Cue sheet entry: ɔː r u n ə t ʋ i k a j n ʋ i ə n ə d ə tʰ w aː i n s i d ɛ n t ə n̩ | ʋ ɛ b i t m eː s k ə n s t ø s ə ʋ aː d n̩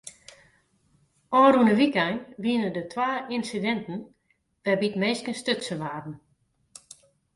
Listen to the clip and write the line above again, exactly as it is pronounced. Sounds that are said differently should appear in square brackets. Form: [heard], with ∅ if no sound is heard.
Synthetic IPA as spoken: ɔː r u n ə [∅] ʋ i k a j n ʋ i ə n ə d ə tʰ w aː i n s i d ɛ n t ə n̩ | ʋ ɛ b i t m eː s k ə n s t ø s ə ʋ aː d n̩